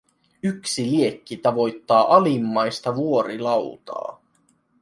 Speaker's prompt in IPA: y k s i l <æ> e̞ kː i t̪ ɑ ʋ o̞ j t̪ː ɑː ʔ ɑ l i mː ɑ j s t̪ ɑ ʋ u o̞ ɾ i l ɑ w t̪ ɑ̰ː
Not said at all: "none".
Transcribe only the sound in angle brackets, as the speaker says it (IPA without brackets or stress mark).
i